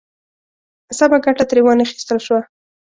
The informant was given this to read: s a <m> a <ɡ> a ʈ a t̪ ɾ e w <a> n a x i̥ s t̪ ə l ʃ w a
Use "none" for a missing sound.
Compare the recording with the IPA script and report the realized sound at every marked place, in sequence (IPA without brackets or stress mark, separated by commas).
b, ɡ, ɑ